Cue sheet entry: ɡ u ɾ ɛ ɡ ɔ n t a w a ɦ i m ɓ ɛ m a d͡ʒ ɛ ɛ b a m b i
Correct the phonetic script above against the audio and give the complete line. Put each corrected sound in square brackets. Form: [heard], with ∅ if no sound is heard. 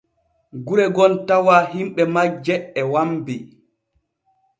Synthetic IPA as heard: ɡ u ɾ ɛ ɡ ɔ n t a w a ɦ i m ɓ ɛ m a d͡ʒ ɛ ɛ [w] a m b i